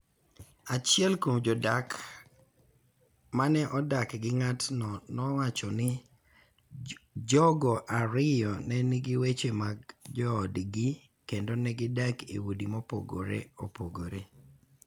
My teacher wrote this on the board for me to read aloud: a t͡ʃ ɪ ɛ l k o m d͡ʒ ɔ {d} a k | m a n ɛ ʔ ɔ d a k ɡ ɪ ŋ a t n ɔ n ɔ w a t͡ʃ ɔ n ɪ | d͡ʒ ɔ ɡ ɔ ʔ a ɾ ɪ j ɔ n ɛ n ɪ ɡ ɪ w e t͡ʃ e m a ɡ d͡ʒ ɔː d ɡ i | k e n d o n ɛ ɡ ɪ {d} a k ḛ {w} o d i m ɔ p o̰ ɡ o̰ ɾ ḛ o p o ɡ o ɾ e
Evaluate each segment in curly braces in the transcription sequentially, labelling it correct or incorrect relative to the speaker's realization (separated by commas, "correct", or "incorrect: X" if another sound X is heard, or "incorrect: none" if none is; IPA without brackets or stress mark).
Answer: correct, correct, correct